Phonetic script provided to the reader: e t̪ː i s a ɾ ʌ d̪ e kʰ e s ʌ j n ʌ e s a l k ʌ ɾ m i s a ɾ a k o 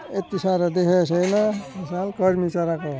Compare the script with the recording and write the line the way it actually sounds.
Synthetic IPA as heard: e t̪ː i s a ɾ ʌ d̪ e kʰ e s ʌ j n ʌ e s a l k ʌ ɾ m i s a ɾ a k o